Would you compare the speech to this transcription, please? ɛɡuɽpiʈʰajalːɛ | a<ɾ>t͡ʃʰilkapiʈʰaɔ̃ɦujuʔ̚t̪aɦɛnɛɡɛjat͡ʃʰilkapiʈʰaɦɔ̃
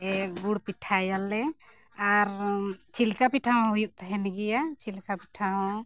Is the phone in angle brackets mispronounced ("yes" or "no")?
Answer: no